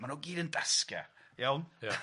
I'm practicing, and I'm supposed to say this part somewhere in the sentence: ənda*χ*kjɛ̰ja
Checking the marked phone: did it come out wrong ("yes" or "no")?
yes